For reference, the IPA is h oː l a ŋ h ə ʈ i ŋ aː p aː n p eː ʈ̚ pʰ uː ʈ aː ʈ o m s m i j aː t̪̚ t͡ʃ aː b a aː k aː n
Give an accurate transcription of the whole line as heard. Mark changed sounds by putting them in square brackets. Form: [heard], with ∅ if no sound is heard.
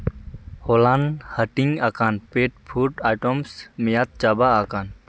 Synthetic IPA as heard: h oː l a [n] h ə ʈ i ŋ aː [k] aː n p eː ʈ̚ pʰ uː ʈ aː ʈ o m s m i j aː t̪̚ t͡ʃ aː b a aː k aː n